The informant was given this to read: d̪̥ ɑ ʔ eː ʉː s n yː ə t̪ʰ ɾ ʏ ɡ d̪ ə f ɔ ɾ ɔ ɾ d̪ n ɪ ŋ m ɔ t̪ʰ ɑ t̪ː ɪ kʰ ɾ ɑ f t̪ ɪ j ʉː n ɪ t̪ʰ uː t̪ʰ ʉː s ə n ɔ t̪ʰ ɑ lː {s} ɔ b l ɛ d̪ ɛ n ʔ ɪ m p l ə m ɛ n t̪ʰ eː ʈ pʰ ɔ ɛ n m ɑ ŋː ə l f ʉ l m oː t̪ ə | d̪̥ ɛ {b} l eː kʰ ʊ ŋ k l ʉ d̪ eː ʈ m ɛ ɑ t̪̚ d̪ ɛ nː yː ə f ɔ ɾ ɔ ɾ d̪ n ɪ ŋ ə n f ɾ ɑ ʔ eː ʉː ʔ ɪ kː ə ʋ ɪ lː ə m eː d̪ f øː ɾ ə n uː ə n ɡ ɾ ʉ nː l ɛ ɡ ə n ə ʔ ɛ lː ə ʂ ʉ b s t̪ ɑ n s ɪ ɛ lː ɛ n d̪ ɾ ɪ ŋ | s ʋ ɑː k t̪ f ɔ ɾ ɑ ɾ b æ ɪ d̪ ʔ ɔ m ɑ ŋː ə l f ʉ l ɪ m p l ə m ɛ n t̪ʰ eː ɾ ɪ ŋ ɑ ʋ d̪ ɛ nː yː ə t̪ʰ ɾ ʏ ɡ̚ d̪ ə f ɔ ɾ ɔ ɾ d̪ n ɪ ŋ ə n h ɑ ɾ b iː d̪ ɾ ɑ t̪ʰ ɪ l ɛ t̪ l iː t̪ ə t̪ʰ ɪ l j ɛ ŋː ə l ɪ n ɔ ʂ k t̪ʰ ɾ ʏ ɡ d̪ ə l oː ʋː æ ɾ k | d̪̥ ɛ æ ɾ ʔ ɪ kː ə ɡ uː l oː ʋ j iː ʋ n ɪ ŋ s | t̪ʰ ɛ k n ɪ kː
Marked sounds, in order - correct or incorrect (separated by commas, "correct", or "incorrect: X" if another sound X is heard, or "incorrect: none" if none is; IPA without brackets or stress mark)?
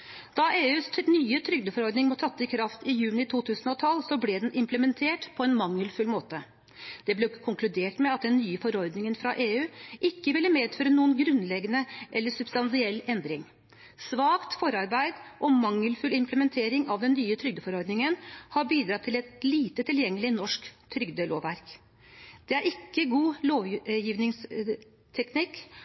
correct, correct